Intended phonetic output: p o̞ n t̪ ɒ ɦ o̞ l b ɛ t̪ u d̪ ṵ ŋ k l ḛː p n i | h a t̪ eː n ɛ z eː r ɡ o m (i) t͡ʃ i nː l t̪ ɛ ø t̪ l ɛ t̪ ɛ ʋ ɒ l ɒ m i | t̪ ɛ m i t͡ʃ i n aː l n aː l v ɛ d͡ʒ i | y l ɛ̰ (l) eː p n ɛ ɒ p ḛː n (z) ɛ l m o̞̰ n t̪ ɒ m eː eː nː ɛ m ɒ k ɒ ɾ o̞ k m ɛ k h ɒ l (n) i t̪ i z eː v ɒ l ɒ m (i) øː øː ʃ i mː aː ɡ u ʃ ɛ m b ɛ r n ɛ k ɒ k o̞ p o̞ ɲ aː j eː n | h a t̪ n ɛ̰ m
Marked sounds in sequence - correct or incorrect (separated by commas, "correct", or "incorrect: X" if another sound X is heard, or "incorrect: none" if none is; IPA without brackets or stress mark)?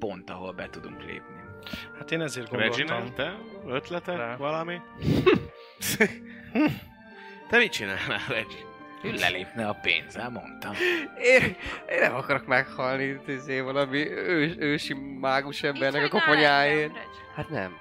incorrect: ɛ, correct, correct, correct, correct